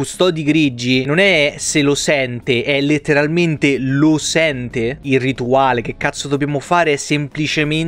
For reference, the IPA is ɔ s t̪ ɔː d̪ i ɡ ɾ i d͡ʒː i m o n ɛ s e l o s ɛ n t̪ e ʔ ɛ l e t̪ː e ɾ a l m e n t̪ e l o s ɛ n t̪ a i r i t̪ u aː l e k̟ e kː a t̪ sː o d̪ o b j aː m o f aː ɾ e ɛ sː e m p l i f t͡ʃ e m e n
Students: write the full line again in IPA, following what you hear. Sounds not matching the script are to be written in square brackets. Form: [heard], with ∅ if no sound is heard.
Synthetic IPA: [u] s t̪ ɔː d̪ i ɡ ɾ i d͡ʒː i [n] o n ɛ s e l o s ɛ n t̪ e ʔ ɛ l e t̪ː e ɾ a l m e n t̪ e l o s ɛ n t̪ [e] i r i t̪ u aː l e k̟ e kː a t̪ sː o d̪ o b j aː m o f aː ɾ e ɛ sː e m p l i [∅] t͡ʃ e m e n